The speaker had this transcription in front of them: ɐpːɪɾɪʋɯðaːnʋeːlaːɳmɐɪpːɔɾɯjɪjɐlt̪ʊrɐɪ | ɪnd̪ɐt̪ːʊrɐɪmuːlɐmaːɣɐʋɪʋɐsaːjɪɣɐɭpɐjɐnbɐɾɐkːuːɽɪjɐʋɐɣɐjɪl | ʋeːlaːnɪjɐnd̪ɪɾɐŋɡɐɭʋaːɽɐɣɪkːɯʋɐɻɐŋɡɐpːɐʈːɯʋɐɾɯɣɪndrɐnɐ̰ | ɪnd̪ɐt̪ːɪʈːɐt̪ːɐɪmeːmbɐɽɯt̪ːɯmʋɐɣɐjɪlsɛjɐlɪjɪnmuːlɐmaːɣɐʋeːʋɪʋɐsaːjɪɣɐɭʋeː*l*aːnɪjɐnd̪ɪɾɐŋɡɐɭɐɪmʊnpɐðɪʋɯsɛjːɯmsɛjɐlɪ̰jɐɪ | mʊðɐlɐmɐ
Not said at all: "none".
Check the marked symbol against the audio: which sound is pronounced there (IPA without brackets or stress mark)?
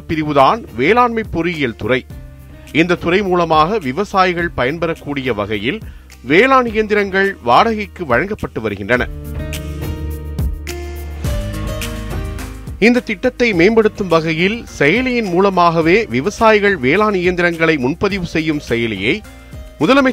l